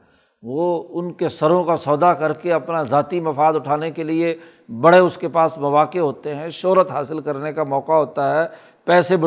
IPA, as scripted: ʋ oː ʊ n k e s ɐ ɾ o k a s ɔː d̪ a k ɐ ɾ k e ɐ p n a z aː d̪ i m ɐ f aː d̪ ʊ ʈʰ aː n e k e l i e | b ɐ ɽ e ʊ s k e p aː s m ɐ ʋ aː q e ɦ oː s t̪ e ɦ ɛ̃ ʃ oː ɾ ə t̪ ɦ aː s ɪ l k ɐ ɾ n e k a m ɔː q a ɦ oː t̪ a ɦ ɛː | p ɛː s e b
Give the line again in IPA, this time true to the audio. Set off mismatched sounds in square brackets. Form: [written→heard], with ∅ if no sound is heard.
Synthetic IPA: ʋ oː ʊ n k e s ɐ ɾ [o→õ] k a s ɔː d̪ a k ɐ ɾ k e ɐ p n a z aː [d̪→t̪] i m ɐ f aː d̪ ʊ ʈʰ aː n e k e l i e | b ɐ ɽ e ʊ s k e p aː s m ɐ ʋ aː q e ɦ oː [s→∅] t̪ e ɦ ɛ̃ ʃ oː ɾ ə t̪ ɦ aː s ɪ l k ɐ ɾ n e k a m ɔː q a ɦ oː t̪ a ɦ ɛː | p ɛː s e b